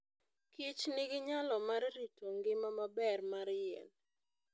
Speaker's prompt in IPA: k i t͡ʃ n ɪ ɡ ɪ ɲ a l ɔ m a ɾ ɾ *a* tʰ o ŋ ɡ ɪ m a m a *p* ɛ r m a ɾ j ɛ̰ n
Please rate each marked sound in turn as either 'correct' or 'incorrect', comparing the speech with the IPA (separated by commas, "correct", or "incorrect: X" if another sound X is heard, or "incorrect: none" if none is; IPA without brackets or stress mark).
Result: incorrect: i, incorrect: b